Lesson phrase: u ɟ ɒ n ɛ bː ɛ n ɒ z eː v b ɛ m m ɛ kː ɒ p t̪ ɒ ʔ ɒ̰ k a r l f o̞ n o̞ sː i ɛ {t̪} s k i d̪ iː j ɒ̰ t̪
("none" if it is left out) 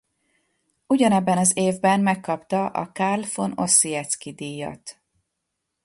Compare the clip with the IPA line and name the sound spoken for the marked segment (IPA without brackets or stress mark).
t̪